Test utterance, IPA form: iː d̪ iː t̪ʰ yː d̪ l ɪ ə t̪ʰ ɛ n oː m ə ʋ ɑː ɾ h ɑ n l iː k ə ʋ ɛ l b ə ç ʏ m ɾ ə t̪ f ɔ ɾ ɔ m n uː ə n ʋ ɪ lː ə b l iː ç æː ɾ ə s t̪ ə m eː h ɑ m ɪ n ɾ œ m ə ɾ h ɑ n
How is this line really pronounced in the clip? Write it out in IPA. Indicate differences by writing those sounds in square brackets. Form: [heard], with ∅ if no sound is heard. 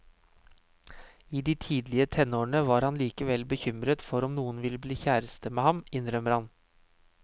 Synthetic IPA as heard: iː d̪ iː t̪ʰ [iː] d̪ l ɪ ə t̪ʰ ɛ n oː [ɳ] ə ʋ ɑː ɾ h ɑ n l iː k ə ʋ ɛ l b ə ç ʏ m ɾ ə t̪ f ɔ ɾ ɔ m n uː ə n ʋ ɪ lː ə b l iː ç æː ɾ ə s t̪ ə m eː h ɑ m ɪ n ɾ œ m ə ɾ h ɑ n

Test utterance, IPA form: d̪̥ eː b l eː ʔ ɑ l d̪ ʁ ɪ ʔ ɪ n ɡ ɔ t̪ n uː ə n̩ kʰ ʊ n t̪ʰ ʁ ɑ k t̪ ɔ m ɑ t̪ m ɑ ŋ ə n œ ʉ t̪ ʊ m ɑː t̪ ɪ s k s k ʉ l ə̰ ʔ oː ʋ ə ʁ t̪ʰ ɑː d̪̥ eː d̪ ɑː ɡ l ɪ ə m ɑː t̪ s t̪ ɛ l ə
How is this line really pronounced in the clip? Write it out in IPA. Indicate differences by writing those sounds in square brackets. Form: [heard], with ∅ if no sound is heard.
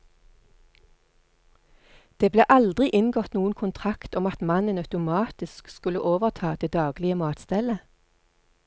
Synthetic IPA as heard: d̪̥ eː b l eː ʔ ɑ l d̪ ʁ ɪ ʔ ɪ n ɡ ɔ t̪ n uː ə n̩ kʰ ʊ n t̪ʰ ʁ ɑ k t̪ ɔ m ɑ t̪ m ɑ [n] ə n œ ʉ t̪ ʊ m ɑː t̪ ɪ s k s k ʉ l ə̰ ʔ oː ʋ ə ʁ t̪ʰ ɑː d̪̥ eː d̪ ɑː ɡ l ɪ ə m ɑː t̪ s t̪ ɛ l ə

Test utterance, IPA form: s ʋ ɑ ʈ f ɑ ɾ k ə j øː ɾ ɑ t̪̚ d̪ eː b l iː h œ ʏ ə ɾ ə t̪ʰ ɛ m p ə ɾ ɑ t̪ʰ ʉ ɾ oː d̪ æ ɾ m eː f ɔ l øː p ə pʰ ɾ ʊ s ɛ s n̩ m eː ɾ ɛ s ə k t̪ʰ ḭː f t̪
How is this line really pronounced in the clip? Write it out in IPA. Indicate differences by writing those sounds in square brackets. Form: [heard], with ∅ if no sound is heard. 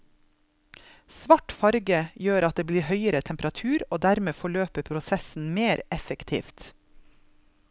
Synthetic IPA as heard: s ʋ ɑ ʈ f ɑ ɾ [ɡ] ə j øː ɾ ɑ t̪̚ d̪ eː b l iː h œ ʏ ə ɾ ə t̪ʰ ɛ m p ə ɾ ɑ t̪ʰ [ʉː] ɾ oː d̪ æ ɾ m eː f ɔ [ɭ] øː p ə pʰ ɾ ʊ s ɛ s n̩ m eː ɾ ɛ [f] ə k t̪ʰ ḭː f t̪

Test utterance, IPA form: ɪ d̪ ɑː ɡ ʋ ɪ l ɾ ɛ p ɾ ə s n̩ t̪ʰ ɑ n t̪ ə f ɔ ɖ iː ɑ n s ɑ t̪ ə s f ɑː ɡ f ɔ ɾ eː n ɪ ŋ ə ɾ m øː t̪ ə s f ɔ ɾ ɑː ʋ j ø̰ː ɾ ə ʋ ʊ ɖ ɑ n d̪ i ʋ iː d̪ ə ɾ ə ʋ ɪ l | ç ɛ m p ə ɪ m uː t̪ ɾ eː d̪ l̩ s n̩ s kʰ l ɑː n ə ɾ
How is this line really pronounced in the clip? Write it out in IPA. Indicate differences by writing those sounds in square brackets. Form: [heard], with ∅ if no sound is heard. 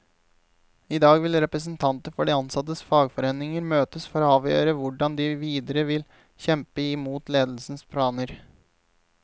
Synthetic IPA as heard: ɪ d̪ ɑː ɡ ʋ ɪ l ɾ ɛ p ɾ ə s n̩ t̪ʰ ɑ n t̪ ə f ɔ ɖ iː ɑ n s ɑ t̪ ə s f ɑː ɡ f ɔ ɾ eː n ɪ ŋ ə ɾ m øː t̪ ə s f ɔ ɾ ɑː ʋ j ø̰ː ɾ ə ʋ ʊ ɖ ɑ n d̪ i ʋ iː d̪ ə ɾ ə ʋ ɪ l | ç ɛ m p ə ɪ m uː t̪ [l] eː d̪ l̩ s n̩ s [pʰ] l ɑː n ə ɾ

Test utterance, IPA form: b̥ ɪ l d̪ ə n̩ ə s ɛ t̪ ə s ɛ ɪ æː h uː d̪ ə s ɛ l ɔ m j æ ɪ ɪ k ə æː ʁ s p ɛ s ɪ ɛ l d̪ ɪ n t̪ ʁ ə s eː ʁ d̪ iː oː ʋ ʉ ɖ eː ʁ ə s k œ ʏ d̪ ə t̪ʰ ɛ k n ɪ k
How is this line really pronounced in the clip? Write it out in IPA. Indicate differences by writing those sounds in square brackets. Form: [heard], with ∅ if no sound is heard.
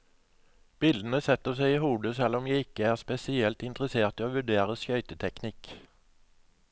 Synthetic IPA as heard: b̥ ɪ l d̪ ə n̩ ə s ɛ t̪ ə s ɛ ɪ [iː] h uː d̪ ə s ɛ l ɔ m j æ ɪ ɪ k ə æː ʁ s p ɛ s ɪ ɛ l [t̪] ɪ n t̪ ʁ ə s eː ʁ [t̪] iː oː ʋ ʉ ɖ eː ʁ ə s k œ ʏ [t̪] ə t̪ʰ ɛ k n ɪ k

